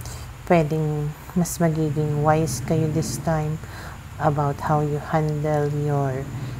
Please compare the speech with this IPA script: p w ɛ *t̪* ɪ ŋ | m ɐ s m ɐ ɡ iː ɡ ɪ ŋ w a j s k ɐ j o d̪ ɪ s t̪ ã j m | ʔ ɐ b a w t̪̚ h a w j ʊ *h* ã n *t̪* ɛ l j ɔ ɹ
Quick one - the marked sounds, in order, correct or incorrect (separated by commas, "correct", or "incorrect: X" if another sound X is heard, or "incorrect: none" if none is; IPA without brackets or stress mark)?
incorrect: d̪, correct, incorrect: d̪